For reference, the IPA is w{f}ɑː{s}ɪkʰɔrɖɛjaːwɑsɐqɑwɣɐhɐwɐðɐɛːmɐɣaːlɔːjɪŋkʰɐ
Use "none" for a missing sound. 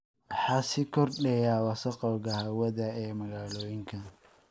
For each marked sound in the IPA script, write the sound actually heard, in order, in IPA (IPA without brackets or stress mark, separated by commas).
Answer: ħ, s